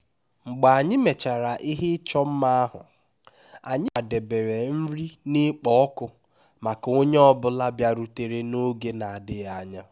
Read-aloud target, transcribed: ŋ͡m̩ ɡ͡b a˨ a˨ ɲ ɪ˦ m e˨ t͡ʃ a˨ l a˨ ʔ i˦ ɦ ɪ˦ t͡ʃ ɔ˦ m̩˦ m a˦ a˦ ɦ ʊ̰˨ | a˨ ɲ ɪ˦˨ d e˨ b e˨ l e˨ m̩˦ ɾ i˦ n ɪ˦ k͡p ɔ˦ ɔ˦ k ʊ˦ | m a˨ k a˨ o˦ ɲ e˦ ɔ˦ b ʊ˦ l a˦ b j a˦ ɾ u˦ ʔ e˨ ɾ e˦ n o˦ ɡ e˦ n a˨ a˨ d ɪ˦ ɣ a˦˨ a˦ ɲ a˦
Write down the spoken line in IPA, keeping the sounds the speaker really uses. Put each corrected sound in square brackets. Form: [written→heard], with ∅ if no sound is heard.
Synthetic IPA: ŋ͡m̩ ɡ͡b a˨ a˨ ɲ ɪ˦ m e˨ t͡ʃ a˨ [l→ɾ] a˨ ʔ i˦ ɦ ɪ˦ t͡ʃ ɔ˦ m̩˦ m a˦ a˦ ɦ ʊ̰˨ | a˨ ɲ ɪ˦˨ d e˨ b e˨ [l→ɾ] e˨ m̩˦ ɾ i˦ n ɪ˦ k͡p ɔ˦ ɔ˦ k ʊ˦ | m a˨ k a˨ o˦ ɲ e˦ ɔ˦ b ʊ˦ l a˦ b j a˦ ɾ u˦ [ʔ→t] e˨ ɾ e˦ n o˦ ɡ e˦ n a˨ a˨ d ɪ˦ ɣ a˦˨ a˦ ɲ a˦